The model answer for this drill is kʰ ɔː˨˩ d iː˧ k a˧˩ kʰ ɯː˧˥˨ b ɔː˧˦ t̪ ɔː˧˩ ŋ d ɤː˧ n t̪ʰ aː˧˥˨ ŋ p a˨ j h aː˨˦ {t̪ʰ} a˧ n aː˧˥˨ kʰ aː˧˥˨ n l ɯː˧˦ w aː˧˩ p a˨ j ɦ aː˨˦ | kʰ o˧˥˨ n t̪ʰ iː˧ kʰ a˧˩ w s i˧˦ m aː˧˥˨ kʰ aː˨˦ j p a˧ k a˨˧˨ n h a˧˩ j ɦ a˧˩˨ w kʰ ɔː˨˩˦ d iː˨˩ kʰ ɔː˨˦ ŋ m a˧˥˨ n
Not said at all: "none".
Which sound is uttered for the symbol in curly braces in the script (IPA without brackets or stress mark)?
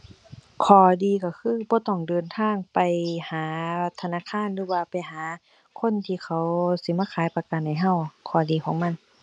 t̪ʰ